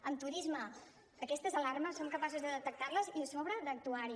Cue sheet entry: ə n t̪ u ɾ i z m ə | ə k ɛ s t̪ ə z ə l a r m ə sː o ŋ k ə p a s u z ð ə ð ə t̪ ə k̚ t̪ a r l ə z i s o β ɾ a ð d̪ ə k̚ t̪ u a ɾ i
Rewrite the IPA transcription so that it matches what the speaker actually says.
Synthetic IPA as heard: ə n t̪ u ɾ i z m ə | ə k ɛ s t̪ ə z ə l a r m ə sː o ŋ k ə p a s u z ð ə ð ə t̪ ə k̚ t̪ a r l ə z i s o β ɾ ə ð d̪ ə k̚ t̪ u a ɾ i